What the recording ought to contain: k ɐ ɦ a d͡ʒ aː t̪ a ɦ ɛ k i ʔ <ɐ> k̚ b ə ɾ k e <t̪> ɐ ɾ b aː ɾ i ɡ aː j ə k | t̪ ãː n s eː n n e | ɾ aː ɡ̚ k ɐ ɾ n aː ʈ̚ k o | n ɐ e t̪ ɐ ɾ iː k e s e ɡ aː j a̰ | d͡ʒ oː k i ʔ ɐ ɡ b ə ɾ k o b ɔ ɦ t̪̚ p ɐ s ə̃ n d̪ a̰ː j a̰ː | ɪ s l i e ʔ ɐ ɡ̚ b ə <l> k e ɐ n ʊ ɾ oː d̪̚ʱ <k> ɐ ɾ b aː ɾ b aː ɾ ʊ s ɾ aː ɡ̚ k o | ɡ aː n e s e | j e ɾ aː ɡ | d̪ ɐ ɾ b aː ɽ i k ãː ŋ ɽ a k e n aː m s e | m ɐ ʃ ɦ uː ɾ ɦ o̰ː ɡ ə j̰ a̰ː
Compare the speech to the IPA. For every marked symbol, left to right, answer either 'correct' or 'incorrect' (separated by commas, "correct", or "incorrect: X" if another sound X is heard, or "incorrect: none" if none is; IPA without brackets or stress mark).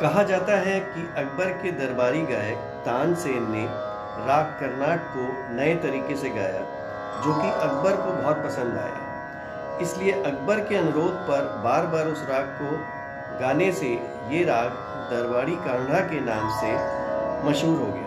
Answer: correct, incorrect: d̪, incorrect: ɾ, incorrect: p